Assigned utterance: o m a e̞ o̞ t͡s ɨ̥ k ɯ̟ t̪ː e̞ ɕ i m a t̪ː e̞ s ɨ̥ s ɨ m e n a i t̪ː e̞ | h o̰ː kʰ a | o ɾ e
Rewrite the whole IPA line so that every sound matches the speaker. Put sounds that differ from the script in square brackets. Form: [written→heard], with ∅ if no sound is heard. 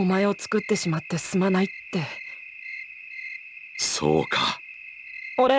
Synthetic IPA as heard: o m a e̞ o̞ t͡s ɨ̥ k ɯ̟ t̪ː e̞ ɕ i m a t̪ː e̞ s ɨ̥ s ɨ m [e→a] n a i t̪ː e̞ | [h→s] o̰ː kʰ a | o ɾ e